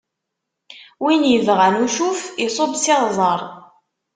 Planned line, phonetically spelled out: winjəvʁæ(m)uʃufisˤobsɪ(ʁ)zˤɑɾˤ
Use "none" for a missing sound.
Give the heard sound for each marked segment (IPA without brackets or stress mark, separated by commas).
n, ʁ